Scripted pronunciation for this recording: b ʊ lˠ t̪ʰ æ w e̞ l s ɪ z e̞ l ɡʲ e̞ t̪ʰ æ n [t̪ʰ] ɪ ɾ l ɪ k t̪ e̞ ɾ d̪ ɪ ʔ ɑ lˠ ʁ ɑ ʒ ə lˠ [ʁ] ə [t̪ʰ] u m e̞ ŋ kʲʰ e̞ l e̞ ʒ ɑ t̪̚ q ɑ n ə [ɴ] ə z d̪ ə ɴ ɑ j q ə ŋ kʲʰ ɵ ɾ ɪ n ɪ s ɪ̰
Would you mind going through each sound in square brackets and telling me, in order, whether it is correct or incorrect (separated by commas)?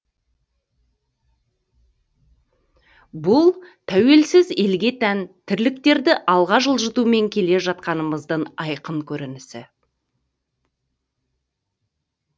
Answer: correct, incorrect, incorrect, incorrect